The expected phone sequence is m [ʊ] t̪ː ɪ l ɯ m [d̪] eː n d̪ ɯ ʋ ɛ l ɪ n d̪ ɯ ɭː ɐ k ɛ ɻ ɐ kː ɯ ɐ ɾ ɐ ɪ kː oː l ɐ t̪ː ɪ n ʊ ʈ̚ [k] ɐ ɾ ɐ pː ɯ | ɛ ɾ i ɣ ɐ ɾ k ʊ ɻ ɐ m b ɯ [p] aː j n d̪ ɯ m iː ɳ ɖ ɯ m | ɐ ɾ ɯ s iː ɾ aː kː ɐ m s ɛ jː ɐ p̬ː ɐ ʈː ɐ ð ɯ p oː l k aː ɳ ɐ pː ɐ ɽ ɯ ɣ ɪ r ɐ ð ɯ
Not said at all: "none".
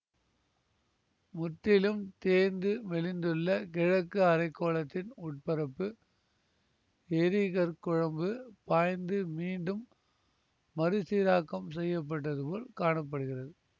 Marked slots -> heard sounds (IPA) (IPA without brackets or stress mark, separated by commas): ʊ, t̪, p, p